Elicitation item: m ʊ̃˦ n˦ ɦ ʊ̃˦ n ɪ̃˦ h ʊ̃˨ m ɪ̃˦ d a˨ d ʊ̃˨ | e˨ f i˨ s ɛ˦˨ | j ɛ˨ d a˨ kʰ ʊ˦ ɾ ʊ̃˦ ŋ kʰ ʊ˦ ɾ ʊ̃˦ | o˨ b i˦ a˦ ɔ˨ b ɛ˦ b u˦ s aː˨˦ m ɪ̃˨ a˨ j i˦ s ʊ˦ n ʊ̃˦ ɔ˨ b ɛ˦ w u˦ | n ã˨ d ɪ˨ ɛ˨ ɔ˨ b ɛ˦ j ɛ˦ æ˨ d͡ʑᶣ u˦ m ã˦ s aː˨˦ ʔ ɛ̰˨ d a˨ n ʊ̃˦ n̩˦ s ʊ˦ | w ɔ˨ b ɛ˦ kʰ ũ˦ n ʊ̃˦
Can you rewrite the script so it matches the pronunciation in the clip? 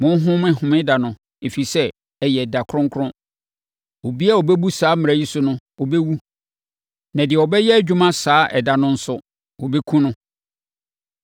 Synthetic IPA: m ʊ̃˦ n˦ ɦ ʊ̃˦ m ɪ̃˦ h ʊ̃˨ m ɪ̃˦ d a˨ n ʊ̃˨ | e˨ f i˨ s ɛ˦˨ | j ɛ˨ d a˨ kʰ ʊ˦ ɾ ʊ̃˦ ŋ kʰ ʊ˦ ɾ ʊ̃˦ | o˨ b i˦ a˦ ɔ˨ b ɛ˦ b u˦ s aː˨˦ m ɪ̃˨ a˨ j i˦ s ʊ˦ n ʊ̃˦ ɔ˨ b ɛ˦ w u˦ | n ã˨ d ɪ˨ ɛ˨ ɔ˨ b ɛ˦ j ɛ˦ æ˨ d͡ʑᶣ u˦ m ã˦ s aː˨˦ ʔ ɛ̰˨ d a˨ n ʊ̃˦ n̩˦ s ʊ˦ | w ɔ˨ b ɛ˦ kʰ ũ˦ n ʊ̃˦